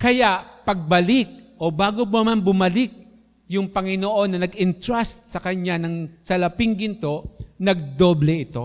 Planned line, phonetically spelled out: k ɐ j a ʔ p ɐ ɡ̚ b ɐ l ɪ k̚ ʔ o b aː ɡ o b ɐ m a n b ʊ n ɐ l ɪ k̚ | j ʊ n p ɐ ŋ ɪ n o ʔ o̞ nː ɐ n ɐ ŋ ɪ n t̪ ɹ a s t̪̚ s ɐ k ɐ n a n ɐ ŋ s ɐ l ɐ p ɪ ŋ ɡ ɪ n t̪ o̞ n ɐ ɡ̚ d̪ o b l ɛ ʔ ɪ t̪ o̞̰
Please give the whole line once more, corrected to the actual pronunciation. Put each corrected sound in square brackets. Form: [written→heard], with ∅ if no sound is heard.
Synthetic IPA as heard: k ɐ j a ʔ p ɐ ɡ̚ b ɐ l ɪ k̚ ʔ o b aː ɡ o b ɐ m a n b ʊ [n→m] ɐ l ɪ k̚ | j ʊ [n→ŋ] p ɐ ŋ ɪ n o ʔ o̞ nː ɐ n ɐ [ŋ→ɡ] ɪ n t̪ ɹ a s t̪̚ s ɐ k ɐ [n→ɲ] a n ɐ ŋ s ɐ l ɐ p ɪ ŋ ɡ ɪ n t̪ o̞ n ɐ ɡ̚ d̪ o b l ɛ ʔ ɪ t̪ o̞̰